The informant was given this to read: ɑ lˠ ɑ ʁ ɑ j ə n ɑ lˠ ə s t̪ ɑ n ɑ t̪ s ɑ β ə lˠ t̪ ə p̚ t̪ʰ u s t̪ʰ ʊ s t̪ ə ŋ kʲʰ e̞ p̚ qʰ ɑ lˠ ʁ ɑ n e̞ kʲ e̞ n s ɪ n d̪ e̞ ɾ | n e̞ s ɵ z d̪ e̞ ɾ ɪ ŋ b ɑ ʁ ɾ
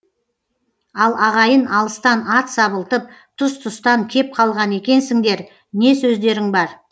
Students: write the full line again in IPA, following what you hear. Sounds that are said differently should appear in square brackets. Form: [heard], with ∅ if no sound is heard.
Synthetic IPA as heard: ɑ lˠ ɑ ʁ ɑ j ə n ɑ lˠ ə s t̪ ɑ n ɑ t̪ s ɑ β ə lˠ t̪ ə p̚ t̪ʰ [ʊ] s t̪ʰ ʊ s t̪ [ɑ] ŋ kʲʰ e̞ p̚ qʰ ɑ lˠ ʁ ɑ n e̞ kʲ e̞ n s ɪ [ŋ] d̪ e̞ ɾ | n e̞ s ɵ z d̪ e̞ ɾ ɪ ŋ b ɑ [∅] ɾ